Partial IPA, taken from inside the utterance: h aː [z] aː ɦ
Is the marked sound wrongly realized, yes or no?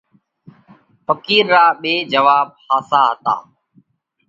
yes